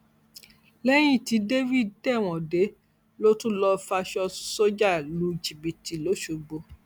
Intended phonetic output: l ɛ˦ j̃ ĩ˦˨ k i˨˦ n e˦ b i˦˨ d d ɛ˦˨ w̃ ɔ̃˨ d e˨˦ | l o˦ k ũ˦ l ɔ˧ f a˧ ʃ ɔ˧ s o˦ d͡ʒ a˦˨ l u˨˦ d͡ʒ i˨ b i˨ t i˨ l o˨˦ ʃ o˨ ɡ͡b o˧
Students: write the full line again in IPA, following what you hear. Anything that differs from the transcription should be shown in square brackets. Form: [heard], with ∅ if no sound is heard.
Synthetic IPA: l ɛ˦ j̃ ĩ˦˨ [t] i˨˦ [d] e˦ [v] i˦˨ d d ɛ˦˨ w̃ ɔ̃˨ d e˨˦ | l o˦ [t] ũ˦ l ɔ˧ f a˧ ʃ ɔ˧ s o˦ d͡ʒ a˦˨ l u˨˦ d͡ʒ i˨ b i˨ t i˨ l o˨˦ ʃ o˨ ɡ͡b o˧